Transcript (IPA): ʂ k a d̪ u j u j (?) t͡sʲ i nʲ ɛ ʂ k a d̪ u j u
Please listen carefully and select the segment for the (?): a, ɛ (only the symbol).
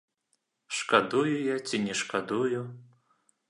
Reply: a